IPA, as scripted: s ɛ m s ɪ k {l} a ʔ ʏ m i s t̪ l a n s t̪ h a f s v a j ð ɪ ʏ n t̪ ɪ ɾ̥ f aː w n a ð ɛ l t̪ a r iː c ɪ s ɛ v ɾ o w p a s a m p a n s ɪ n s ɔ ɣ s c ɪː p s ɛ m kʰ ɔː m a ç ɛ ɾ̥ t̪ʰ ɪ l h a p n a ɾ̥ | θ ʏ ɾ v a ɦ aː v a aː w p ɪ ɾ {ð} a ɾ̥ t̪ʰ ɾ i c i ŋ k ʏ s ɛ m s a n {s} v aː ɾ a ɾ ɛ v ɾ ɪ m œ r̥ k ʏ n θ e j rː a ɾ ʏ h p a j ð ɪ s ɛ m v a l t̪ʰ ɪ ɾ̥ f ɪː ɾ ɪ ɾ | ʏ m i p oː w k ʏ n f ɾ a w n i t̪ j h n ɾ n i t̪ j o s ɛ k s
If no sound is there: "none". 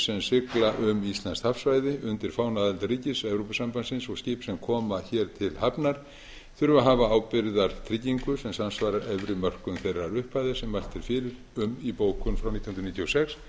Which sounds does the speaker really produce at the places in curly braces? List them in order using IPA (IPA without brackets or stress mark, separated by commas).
l, ð, s